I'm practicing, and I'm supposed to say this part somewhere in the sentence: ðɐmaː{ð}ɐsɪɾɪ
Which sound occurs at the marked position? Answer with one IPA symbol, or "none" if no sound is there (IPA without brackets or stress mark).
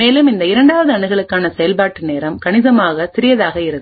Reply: ɣ